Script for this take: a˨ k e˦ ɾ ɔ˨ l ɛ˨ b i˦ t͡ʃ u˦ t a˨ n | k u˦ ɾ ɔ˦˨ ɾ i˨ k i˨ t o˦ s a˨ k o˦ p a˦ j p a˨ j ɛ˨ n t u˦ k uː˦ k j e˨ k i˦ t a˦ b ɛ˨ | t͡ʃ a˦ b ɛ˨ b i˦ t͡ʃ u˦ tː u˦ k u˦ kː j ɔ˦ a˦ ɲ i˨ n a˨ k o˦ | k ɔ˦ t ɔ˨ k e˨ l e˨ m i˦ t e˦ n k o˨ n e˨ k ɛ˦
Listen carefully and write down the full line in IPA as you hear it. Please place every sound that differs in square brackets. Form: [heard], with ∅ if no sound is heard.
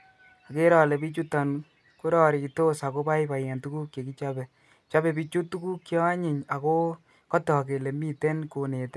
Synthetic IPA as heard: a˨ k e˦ ɾ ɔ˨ l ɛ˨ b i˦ t͡ʃ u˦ t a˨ n | k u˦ ɾ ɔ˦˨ ɾ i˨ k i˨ t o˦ s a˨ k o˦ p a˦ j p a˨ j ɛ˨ n t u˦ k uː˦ k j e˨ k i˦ [t͡ʃ] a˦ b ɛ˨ | t͡ʃ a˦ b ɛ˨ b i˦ t͡ʃ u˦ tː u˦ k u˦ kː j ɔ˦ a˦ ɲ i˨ [ɲ] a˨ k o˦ | k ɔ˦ t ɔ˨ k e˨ l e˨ m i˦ t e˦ n k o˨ n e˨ [t] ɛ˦

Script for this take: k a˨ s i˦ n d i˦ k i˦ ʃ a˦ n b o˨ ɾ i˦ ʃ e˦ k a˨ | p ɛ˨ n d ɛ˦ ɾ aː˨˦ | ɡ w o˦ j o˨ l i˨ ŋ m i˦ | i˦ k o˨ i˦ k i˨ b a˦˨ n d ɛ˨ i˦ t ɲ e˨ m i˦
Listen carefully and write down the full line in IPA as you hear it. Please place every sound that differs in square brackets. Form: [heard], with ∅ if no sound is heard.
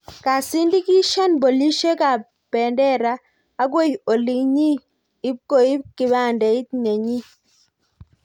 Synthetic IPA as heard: k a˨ s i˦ n d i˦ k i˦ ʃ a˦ n b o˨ [l] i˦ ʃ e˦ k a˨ | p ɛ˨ n d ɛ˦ ɾ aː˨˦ | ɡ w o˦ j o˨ l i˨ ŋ [ɲ] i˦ | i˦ k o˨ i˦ k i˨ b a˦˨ n d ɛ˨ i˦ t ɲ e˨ [ɲ] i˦

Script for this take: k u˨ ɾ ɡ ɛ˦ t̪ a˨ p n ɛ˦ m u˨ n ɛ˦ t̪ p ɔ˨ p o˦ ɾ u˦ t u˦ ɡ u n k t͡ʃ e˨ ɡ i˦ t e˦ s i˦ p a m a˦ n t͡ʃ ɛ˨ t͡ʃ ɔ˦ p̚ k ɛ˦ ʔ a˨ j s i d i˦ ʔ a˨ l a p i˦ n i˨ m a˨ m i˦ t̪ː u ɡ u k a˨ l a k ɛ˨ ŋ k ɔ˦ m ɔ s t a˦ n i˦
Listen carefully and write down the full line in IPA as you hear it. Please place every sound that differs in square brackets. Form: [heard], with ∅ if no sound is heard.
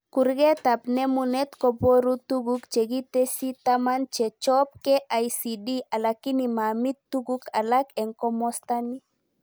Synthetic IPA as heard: k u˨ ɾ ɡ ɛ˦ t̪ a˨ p n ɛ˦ m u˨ n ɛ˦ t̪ [k] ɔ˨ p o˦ ɾ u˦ t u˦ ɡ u [∅] k t͡ʃ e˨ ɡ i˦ t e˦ s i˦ [t] a m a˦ n t͡ʃ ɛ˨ t͡ʃ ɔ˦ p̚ k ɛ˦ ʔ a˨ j s i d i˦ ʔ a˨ l a [k] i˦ n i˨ m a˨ m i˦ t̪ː u ɡ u k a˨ l a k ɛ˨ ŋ k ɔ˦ m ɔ s t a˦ n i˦

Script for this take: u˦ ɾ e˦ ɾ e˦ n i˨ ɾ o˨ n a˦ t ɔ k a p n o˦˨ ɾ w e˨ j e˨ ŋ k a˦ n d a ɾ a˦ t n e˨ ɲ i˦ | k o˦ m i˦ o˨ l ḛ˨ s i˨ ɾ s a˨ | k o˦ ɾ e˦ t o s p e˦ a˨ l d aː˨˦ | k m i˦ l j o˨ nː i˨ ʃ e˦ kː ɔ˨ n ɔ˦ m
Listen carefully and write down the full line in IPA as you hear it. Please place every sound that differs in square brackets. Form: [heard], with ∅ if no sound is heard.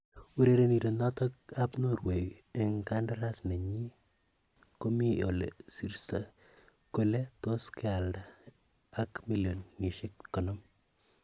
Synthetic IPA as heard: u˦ ɾ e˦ ɾ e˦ n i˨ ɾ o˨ n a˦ t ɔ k a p n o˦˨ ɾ w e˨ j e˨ ŋ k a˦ n d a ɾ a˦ [s] n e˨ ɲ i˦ | k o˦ m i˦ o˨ l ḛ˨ s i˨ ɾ s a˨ | k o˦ [l] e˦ t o s [k] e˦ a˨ l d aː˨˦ | k m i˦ l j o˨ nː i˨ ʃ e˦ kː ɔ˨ n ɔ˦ m

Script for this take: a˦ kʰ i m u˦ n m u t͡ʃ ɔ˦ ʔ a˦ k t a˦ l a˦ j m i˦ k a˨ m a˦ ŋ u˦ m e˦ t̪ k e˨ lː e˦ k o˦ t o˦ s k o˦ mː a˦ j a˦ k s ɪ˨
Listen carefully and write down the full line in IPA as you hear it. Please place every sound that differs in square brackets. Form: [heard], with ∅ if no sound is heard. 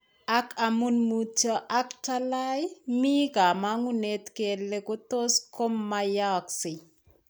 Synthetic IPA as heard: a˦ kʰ [a] m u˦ n m u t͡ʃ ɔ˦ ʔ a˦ k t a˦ l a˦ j m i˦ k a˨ m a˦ ŋ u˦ [n] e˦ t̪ k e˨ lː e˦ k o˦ t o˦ s k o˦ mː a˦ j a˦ k s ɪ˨

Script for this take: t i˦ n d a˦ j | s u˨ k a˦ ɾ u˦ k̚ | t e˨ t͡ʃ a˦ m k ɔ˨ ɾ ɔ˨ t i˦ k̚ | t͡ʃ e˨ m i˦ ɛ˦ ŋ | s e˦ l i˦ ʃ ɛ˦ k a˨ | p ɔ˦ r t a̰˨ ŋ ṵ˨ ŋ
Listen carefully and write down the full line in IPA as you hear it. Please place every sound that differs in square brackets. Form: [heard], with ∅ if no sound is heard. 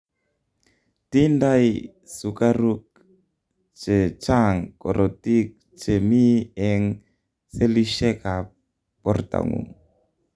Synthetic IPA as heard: t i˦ n d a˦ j | s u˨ k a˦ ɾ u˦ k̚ | [t͡ʃ] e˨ t͡ʃ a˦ [ŋ] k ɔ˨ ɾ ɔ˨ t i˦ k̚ | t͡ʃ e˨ m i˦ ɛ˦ ŋ | s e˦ l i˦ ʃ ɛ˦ k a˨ | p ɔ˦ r t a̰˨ ŋ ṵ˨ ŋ

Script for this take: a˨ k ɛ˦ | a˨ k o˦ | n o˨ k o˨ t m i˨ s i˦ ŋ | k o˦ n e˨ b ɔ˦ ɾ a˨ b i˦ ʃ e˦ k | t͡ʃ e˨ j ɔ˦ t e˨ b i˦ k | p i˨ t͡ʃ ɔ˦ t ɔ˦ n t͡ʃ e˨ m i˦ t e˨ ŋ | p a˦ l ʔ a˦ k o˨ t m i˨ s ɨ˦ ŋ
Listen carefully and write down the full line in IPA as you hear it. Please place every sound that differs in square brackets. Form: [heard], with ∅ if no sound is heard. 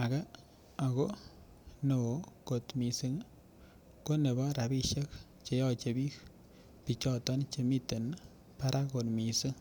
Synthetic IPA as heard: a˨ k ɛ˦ | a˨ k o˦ | n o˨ k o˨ t m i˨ s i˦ ŋ | k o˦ n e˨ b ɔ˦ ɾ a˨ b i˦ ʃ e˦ k | t͡ʃ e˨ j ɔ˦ [t͡ʃ] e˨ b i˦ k | p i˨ t͡ʃ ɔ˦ t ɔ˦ n t͡ʃ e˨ m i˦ t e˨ [n] | p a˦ [ɾ] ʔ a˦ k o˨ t m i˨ s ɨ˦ ŋ

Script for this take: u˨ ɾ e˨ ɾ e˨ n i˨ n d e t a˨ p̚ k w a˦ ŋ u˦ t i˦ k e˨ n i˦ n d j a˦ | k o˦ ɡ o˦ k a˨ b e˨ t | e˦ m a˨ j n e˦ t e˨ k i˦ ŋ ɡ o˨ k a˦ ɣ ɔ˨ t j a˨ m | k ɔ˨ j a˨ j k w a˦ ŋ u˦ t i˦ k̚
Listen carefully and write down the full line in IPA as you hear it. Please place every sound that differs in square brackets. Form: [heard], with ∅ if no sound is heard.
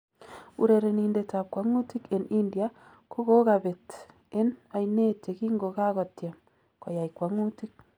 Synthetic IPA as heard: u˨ ɾ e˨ ɾ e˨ n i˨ n d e t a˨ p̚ k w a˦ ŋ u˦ t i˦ k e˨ n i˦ n d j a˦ | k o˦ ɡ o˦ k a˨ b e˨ t | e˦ [n] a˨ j n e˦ t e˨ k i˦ ŋ ɡ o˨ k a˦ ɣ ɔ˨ t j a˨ m | k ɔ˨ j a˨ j k w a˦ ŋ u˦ t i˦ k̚

